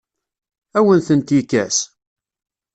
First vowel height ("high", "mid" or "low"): low